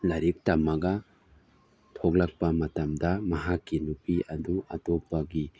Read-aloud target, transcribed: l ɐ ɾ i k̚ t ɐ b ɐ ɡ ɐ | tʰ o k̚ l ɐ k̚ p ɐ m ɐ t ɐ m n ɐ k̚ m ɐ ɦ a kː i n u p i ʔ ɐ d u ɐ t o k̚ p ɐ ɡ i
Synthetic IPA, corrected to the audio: l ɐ ɾ i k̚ t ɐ m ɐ ɡ ɐ | tʰ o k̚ l ɐ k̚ p ɐ m ɐ t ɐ m d ɐ m ɐ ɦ a kː i n u p i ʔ ɐ d u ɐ t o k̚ p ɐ ɡ i